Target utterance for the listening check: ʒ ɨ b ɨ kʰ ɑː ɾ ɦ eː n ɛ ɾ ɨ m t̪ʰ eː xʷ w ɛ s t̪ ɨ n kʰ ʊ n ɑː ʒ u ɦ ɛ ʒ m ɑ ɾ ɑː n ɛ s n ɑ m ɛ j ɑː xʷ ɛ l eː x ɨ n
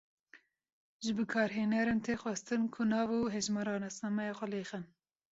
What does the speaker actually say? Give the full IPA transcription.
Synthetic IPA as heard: ʒ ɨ b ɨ kʰ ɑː ɾ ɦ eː n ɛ ɾ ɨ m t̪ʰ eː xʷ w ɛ s t̪ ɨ n kʰ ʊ n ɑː v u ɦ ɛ ʒ m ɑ ɾ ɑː n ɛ s n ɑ m ɛ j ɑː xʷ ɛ l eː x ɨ n